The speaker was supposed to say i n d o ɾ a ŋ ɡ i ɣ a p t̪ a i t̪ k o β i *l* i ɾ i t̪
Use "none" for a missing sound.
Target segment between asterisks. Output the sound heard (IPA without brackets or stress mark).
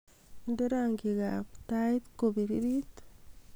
ɾ